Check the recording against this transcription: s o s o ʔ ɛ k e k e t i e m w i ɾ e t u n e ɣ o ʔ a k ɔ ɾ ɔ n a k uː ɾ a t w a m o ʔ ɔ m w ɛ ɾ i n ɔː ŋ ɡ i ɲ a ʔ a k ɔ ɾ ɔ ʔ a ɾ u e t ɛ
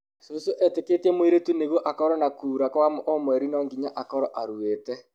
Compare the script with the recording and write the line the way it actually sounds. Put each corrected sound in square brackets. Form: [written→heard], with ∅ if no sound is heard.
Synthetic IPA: s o s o ʔ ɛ [k→t] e k e t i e m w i ɾ e t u n e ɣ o ʔ a k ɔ ɾ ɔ n a k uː ɾ a [t→k] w a m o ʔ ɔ m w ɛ ɾ i n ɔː ŋ ɡ i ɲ a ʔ a k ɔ ɾ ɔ ʔ a ɾ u e t ɛ